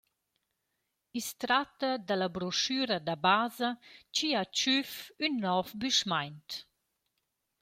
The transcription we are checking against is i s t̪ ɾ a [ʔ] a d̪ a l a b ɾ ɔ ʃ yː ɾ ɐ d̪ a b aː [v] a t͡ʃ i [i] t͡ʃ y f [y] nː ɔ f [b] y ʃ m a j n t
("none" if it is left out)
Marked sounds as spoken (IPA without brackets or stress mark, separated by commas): t, z, a, y, b